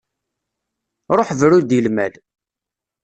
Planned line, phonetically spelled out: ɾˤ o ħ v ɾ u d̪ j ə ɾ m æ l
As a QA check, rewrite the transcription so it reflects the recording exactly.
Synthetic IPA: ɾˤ o ħ v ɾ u d̪ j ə l m æ l